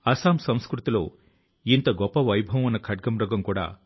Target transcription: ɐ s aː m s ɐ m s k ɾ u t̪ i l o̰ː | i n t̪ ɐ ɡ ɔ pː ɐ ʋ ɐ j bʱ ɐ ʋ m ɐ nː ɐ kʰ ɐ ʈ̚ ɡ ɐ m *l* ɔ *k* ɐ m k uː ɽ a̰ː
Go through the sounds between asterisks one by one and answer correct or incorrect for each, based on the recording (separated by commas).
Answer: incorrect, incorrect